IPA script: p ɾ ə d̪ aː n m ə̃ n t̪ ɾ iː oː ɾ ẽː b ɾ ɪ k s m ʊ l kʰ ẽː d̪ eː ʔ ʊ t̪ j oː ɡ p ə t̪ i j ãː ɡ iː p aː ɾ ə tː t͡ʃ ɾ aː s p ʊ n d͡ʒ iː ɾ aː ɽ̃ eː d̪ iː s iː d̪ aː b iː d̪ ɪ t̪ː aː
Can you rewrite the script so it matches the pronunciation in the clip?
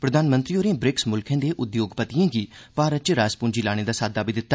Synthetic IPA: p ɾ ə d̪ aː n m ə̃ n t̪ ɾ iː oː ɾ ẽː b ɾ ɪ k s m ʊ l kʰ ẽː d̪ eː ʔ ʊ d̪ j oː ɡ p ə t̪ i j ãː ɡ iː p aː ɾ ə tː t͡ʃ ɾ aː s p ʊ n d͡ʒ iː l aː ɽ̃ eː d̪ aː s aː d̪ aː b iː d̪ ɪ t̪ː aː